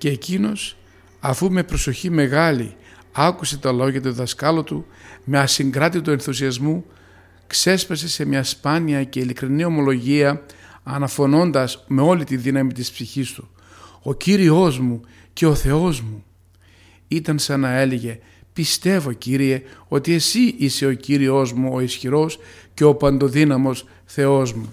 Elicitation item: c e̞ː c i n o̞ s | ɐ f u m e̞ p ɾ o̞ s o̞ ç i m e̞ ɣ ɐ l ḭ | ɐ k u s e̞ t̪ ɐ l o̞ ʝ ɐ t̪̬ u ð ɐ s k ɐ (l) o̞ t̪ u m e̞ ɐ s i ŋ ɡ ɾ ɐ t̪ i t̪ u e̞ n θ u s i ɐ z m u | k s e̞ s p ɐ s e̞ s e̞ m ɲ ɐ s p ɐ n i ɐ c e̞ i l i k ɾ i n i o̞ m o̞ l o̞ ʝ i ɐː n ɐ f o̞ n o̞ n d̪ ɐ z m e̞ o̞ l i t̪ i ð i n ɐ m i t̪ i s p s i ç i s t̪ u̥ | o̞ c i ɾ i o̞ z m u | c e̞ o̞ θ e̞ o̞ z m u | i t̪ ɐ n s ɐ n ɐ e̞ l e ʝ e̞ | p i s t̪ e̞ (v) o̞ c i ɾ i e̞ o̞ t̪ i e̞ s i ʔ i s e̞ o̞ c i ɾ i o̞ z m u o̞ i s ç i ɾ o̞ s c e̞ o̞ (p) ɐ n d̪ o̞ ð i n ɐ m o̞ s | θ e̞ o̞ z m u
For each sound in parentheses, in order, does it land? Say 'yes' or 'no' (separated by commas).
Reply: yes, yes, yes